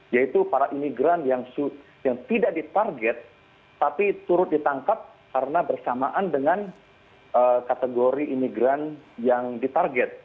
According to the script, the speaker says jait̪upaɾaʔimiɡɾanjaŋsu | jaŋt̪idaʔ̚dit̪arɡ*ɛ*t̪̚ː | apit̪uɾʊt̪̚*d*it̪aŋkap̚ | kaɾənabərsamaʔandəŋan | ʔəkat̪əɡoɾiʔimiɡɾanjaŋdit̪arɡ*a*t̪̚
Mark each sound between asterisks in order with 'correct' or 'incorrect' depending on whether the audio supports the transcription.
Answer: correct, correct, incorrect: ɛ

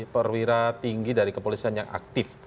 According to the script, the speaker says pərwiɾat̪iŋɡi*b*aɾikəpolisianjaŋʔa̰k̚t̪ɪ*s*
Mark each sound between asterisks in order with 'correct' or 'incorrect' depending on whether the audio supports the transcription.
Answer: incorrect: d, incorrect: f

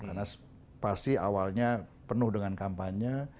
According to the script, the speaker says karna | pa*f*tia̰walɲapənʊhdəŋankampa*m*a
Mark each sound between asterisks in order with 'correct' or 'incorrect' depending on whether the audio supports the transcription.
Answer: incorrect: s, incorrect: ɲ

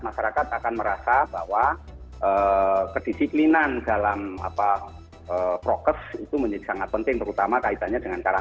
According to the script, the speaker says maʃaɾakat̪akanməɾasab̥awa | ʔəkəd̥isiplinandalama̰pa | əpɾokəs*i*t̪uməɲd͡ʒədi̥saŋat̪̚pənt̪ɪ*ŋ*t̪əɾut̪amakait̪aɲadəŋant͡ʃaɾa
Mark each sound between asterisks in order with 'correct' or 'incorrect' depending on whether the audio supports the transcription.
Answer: correct, correct

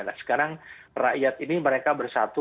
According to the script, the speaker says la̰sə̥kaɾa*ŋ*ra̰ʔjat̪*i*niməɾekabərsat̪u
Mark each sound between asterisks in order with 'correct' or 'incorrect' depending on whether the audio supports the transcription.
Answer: correct, correct

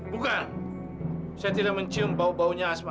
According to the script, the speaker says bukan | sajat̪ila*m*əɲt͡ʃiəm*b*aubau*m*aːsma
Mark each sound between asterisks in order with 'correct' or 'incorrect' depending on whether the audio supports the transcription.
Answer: correct, correct, incorrect: ɲ

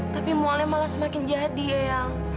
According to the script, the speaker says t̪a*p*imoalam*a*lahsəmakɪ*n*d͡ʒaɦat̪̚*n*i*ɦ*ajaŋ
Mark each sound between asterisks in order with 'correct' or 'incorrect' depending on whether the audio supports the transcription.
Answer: correct, correct, correct, incorrect: d, incorrect: none

